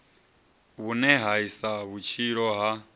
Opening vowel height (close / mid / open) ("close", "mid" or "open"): close